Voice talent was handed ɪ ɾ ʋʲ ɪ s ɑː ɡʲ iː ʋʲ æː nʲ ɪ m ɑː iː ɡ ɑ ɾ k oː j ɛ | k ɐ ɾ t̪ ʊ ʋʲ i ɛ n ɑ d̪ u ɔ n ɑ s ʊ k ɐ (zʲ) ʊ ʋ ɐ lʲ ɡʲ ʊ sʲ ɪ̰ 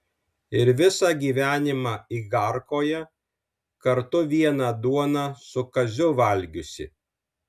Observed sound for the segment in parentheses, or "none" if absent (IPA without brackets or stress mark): zʲ